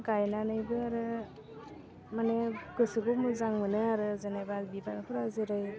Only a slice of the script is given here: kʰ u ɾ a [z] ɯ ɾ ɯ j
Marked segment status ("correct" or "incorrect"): correct